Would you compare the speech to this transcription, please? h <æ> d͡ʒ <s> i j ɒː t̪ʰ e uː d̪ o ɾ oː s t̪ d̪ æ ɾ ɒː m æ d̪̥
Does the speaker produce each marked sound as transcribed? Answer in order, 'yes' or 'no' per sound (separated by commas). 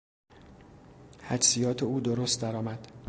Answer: yes, yes